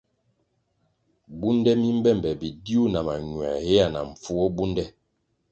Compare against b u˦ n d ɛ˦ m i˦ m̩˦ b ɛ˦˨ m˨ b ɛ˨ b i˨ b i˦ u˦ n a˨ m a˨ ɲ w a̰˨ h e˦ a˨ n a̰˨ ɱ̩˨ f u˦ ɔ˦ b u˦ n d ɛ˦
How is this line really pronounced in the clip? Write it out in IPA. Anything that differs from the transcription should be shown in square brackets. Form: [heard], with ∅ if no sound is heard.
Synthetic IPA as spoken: b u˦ n d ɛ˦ m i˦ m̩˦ b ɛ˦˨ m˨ b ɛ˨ b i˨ [d] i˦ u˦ n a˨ m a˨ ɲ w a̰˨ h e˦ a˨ n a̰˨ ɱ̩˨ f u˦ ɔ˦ b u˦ n d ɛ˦